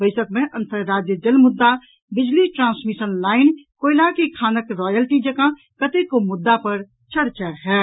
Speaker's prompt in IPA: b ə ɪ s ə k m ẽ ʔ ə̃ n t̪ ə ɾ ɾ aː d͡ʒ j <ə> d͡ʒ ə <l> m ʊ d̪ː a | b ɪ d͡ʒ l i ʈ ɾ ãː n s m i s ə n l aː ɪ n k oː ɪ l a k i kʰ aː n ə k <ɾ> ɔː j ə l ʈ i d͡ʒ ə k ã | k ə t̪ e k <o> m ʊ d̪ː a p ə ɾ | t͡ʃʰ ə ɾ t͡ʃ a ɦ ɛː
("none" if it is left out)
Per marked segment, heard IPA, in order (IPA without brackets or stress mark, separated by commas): ə, l, ɾ, o